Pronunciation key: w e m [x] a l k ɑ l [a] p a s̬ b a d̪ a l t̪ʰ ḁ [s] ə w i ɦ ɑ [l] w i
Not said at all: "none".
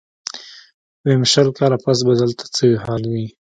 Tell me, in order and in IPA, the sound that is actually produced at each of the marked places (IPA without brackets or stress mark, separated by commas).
ʃ, a, t͡s, l